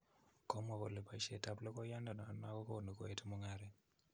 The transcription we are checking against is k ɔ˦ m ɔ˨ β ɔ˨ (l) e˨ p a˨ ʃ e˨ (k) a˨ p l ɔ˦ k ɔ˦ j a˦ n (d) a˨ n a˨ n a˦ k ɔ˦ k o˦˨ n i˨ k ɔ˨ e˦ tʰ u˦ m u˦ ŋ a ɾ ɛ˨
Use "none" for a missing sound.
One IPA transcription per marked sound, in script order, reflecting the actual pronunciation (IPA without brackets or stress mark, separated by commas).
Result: l, t, d